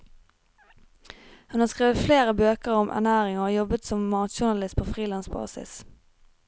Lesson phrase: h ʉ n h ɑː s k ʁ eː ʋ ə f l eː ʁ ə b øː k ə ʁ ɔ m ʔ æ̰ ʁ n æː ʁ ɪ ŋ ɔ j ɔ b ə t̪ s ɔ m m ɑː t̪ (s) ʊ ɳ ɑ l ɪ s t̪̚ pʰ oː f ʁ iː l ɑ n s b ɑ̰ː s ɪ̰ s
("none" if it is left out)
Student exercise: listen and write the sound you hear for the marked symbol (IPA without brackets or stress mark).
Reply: ʃ